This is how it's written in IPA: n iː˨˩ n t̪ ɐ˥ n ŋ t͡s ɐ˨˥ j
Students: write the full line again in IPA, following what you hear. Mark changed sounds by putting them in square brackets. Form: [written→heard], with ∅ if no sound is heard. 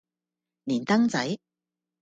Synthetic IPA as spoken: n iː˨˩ n t̪ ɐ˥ [n→∅] ŋ t͡s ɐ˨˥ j